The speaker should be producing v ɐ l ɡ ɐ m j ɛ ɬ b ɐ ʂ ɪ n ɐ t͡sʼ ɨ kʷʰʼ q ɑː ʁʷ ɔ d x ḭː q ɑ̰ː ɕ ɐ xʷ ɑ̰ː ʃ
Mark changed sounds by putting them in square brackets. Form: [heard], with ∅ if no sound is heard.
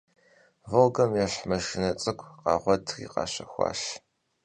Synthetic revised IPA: v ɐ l ɡ ɐ m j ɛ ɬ [m] ɐ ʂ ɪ n ɐ t͡sʼ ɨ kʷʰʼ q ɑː ʁʷ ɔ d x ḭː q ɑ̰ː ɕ ɐ xʷ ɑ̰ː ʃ

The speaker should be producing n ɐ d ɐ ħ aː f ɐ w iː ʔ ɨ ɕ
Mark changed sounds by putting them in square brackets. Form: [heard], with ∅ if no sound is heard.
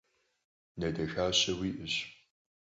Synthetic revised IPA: n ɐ d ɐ [x] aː [ɕ] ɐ w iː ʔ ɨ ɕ

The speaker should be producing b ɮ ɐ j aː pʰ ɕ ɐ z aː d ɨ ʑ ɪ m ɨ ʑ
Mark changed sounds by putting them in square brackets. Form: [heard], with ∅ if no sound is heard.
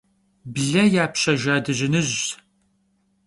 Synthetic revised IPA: b ɮ ɐ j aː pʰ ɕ ɐ [ʒ] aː d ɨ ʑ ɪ [n] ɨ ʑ

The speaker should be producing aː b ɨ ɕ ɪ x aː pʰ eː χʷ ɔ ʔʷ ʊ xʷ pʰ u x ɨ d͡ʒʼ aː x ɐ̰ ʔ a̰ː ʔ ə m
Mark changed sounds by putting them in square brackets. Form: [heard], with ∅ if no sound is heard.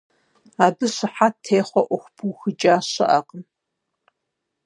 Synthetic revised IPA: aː b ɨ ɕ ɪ [ħ] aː [tʰ] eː χʷ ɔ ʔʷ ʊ xʷ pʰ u x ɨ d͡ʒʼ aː [ɕ] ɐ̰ ʔ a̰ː [q] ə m

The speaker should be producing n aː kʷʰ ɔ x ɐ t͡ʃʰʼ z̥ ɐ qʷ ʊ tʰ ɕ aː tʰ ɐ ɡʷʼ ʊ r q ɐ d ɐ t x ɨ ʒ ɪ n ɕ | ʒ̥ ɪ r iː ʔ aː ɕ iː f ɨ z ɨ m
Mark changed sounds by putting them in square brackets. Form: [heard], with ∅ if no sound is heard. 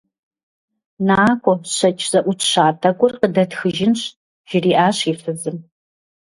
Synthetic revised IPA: n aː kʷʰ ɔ [ɕ] ɐ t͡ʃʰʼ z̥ ɐ [ʔʷ] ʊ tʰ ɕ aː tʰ ɐ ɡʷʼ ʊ r q [ə] d ɐ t x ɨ ʒ ɪ n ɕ | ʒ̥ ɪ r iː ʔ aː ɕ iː f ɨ z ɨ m

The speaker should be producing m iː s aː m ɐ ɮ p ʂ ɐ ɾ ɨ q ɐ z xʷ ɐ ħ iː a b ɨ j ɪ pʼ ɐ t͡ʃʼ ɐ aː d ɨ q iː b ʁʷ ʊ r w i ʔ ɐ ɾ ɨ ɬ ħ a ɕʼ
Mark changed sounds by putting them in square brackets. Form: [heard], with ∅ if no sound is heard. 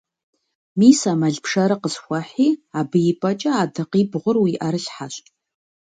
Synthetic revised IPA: m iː s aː m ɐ ɮ p ʂ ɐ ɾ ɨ q [ə] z xʷ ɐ ħ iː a b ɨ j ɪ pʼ ɐ t͡ʃʼ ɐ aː d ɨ q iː b ʁʷ ʊ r w i ʔ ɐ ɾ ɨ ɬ ħ a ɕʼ

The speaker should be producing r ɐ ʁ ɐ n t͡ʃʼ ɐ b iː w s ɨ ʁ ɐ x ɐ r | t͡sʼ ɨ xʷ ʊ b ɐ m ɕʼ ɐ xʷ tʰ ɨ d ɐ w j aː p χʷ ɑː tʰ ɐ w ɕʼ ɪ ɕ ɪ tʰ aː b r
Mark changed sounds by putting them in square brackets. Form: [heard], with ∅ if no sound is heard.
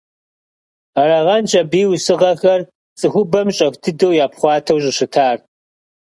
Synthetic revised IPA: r ɐ ʁ ɐ n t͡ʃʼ ɐ b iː w s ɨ ʁ ɐ x ɐ r | t͡sʼ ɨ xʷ ʊ b ɐ m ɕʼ ɐ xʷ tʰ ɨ d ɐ w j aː p χʷ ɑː tʰ ɐ w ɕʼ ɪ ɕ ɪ tʰ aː [∅] r

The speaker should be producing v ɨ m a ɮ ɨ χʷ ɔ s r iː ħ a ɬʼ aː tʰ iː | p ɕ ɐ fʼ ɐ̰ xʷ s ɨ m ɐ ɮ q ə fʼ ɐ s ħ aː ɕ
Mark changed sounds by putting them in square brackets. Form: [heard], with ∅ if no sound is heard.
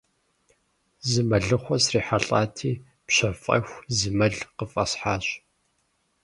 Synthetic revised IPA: [z] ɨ m [ɐ] ɮ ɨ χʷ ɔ s r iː ħ a ɬʼ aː tʰ iː | p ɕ ɐ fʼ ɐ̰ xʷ [z] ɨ m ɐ ɮ q ə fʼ ɐ s ħ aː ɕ

